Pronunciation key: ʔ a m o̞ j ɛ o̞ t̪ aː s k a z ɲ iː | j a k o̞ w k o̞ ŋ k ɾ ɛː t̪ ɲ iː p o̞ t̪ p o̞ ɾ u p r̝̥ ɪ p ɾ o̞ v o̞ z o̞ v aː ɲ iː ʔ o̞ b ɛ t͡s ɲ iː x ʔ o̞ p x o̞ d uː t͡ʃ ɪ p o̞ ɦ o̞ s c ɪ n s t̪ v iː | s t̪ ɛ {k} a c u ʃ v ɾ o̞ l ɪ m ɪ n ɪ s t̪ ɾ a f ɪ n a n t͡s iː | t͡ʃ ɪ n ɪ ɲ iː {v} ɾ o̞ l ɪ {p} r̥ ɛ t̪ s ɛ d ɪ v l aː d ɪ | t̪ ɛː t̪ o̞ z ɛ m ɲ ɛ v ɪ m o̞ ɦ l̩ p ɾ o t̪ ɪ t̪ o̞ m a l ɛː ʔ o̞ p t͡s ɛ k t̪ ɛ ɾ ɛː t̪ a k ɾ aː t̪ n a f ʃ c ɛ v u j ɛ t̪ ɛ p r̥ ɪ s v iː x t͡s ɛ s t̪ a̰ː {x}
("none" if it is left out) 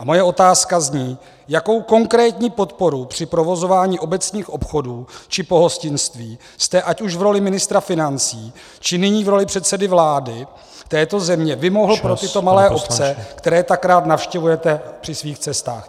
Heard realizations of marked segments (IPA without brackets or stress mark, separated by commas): ʔ, v, p, x